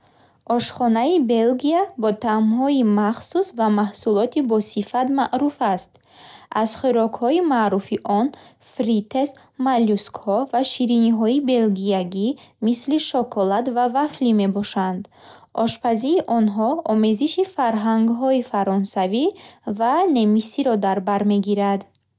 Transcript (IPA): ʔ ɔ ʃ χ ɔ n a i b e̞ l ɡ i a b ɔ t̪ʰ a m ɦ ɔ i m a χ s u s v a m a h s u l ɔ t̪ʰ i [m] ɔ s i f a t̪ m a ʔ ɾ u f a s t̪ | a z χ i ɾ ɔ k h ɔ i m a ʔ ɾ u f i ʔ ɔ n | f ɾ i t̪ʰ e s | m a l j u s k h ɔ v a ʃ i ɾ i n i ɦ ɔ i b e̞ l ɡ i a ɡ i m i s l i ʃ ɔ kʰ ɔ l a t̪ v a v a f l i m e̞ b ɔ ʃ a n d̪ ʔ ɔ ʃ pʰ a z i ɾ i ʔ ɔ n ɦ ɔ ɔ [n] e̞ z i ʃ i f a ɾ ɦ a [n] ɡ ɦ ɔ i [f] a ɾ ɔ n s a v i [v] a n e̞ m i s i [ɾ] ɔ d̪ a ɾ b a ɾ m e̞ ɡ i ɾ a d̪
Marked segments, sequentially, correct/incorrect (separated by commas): incorrect, incorrect, incorrect, correct, correct, correct